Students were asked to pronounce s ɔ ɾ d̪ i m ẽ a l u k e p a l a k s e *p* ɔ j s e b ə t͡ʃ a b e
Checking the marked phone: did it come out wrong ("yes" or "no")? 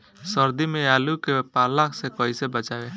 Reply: yes